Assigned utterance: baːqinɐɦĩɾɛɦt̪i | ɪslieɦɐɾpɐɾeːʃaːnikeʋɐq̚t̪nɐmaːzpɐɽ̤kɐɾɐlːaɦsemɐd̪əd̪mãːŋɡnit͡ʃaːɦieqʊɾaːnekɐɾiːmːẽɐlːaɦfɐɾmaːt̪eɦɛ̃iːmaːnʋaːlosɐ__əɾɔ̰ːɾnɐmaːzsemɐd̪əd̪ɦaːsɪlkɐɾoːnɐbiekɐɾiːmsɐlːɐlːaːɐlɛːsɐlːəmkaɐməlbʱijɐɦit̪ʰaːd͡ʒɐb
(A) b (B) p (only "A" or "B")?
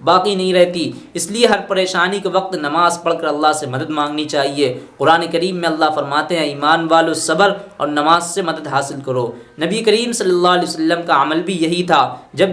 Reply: A